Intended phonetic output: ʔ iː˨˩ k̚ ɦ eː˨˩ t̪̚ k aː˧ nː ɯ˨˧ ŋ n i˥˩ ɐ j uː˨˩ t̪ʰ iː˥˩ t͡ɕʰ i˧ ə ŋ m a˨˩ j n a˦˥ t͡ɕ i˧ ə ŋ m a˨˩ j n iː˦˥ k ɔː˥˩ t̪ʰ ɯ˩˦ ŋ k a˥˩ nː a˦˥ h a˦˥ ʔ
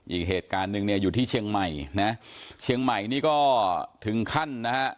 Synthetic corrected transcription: ʔ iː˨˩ k̚ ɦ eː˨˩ t̪̚ k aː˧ nː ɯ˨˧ ŋ n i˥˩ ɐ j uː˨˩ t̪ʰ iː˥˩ t͡ɕʰ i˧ ə ŋ m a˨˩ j n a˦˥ t͡ɕʰ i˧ ə ŋ m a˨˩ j n iː˦˥ k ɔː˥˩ t̪ʰ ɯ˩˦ ŋ kʰ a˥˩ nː a˦˥ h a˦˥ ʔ